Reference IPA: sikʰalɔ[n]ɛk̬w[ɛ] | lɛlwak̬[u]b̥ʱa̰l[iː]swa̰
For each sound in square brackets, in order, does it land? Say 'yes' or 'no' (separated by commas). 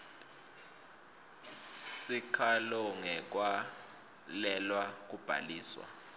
no, no, yes, yes